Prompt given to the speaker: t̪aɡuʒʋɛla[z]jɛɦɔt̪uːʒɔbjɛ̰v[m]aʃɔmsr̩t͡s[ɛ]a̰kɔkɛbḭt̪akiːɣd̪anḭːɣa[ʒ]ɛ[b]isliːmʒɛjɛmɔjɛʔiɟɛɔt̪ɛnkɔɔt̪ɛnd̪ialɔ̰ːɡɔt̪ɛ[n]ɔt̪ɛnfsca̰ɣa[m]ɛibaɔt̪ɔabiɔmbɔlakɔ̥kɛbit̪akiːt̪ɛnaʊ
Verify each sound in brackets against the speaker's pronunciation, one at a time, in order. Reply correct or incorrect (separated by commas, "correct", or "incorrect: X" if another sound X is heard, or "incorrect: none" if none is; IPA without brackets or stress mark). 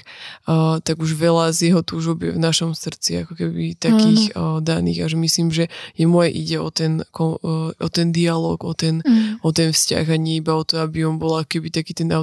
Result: correct, incorrect: n, incorrect: i, correct, incorrect: m, correct, incorrect: ɲ